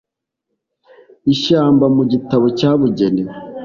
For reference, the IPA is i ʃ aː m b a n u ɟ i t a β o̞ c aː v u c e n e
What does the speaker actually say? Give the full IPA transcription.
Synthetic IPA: i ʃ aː m b a m u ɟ i t a β o̞ c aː β u ɟ e n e